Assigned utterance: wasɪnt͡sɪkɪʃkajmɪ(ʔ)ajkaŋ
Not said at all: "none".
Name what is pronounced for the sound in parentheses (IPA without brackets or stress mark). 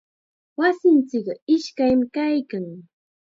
k